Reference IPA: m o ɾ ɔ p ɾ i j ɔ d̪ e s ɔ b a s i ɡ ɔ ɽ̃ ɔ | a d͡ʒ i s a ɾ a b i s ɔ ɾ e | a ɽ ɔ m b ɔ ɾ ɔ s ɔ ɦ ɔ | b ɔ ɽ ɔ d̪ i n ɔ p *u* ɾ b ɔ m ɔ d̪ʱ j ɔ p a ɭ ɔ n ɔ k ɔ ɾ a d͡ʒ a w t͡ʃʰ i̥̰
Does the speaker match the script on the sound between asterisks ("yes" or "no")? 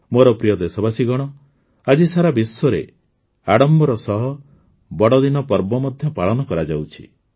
no